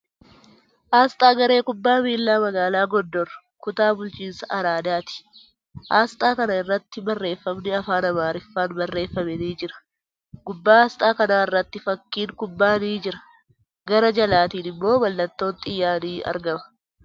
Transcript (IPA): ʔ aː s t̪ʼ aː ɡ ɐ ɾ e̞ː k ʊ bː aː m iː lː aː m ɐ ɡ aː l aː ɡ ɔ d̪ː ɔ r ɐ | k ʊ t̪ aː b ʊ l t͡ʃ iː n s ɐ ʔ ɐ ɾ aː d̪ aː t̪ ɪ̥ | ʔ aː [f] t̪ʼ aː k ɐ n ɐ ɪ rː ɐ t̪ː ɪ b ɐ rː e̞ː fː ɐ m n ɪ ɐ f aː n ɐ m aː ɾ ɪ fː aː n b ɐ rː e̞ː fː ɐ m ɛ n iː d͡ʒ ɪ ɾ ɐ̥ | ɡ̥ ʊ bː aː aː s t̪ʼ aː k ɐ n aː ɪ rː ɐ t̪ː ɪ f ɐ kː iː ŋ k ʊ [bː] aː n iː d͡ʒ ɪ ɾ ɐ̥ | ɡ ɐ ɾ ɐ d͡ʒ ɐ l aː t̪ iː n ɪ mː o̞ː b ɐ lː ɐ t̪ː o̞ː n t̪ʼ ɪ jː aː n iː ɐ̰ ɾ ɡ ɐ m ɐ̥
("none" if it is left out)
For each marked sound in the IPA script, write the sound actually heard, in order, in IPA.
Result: s, bː

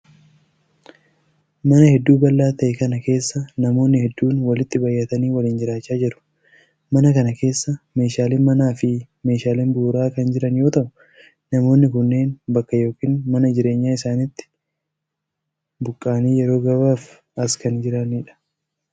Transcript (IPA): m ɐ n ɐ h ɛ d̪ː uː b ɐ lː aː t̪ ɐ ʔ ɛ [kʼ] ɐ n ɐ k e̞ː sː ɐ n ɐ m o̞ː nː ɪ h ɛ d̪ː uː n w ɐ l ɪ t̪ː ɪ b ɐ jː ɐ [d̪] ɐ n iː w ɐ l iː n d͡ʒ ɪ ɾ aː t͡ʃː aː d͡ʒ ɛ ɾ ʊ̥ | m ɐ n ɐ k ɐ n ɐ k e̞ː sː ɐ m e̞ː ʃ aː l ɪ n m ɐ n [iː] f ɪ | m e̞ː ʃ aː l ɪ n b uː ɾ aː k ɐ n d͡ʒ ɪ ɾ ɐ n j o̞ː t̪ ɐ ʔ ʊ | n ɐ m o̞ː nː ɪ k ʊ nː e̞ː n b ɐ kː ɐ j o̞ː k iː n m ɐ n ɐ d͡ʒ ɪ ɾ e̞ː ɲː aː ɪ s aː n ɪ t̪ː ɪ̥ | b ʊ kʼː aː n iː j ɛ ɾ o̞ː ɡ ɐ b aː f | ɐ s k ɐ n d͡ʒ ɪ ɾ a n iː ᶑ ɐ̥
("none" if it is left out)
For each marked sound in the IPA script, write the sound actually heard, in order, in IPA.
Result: k, t̪, aː

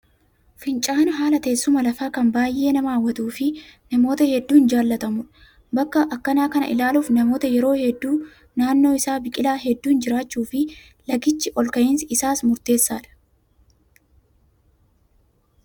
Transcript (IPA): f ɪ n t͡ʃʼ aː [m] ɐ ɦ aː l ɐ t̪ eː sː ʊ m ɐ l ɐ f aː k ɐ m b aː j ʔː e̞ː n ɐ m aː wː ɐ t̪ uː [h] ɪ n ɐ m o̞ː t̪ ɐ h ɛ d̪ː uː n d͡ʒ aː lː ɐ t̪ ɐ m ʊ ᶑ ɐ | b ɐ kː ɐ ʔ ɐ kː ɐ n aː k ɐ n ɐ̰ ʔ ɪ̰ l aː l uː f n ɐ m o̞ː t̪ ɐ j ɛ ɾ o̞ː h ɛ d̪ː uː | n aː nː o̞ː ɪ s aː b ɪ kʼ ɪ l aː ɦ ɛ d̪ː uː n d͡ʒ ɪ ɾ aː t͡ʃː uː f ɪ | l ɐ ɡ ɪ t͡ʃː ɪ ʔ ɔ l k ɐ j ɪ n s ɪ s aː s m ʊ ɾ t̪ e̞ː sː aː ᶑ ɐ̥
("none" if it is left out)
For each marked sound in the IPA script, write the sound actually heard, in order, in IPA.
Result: n, f

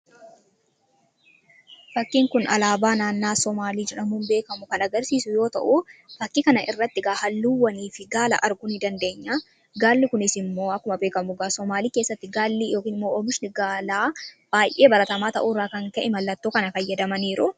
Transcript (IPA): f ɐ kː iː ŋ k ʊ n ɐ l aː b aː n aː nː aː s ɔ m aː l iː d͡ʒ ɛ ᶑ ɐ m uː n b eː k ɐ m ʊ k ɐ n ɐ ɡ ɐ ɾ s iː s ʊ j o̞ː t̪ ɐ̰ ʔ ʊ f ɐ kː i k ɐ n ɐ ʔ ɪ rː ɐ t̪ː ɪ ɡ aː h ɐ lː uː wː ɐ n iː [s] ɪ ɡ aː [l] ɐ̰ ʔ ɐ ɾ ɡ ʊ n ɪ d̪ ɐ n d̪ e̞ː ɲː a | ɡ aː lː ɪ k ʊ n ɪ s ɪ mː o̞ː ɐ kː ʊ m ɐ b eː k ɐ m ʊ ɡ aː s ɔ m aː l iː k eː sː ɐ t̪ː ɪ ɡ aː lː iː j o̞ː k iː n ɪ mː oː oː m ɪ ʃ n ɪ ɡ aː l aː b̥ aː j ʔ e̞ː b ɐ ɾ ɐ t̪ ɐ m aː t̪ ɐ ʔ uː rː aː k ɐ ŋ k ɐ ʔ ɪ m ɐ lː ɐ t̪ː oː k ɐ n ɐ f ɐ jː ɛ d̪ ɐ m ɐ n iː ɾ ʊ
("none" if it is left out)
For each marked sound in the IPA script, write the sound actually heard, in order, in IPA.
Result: f, l

